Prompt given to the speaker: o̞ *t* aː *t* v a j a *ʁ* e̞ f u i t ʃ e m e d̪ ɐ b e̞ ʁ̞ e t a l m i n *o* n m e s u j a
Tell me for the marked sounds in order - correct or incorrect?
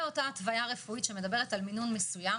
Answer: correct, correct, correct, incorrect: u

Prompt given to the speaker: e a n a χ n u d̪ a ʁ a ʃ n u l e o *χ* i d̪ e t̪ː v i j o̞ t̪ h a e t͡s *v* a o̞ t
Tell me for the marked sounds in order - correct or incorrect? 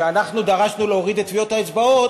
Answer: incorrect: ʁ, incorrect: b

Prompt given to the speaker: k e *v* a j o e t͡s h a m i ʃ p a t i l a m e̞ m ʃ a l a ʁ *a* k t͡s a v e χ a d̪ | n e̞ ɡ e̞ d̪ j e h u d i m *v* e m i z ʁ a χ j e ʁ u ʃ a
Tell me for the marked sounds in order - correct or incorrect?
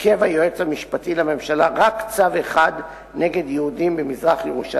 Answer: correct, correct, incorrect: b

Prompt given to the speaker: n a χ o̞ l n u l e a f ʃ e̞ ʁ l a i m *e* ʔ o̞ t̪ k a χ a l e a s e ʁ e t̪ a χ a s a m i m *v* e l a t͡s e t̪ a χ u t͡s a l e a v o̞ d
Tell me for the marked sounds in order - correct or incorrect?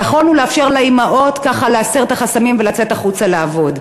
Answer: incorrect: a, correct

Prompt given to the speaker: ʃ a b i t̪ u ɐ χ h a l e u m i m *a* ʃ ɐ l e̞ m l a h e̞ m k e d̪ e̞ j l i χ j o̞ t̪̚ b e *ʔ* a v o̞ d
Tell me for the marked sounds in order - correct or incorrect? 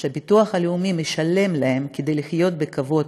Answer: incorrect: e, incorrect: k

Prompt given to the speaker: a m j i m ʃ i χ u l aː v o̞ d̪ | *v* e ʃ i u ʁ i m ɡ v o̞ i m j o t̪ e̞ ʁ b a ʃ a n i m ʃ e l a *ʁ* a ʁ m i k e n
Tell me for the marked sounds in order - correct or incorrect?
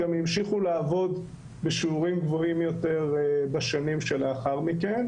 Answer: incorrect: b, incorrect: χ

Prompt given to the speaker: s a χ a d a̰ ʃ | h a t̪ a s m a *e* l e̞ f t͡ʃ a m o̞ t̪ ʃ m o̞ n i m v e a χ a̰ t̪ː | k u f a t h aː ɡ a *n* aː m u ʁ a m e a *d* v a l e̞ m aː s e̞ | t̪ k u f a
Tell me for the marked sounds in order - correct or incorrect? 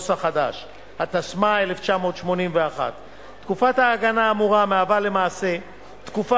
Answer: correct, correct, incorrect: none

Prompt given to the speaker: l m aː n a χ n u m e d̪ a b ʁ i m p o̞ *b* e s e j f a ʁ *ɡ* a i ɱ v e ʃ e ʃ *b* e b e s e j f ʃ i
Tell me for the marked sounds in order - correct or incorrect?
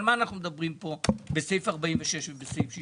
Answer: correct, incorrect: b, incorrect: v

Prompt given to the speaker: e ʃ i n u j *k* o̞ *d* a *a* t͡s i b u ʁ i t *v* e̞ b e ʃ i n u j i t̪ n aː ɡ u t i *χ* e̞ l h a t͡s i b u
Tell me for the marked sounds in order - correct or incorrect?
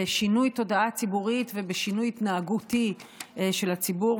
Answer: incorrect: t, correct, correct, correct, incorrect: ʃ

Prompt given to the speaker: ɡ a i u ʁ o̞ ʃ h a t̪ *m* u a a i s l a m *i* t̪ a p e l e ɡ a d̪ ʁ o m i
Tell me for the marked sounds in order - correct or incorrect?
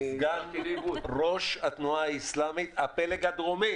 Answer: incorrect: n, correct

